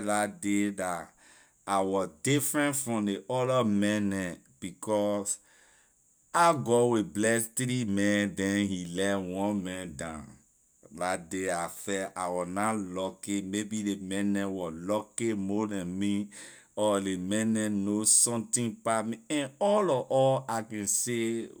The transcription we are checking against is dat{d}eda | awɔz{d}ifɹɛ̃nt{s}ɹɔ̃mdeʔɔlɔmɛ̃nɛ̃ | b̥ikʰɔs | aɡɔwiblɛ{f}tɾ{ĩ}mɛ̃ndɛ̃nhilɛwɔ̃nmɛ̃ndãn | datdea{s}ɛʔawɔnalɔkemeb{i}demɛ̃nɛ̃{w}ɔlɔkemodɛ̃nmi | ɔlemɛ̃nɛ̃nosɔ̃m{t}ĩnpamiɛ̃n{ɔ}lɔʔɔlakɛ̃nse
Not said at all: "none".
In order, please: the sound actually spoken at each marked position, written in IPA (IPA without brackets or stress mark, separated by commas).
d, d, f, s, i, f, i, w, t, ɔ